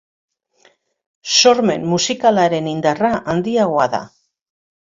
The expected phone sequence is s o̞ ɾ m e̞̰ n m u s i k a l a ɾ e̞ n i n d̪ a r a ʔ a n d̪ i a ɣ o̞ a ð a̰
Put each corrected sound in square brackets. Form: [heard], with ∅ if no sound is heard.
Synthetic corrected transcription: s o̞ ɾ m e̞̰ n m u s i k a l a ɾ e̞ n i n d̪ a r a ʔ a n d̪ i a ɣ o̞ a ð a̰